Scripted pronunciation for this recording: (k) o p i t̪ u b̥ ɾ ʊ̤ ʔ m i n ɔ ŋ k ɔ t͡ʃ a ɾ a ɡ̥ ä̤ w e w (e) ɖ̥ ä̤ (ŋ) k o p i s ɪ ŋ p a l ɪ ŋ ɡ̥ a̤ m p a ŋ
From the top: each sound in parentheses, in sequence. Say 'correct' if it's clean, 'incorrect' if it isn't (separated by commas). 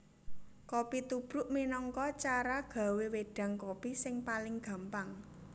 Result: correct, correct, correct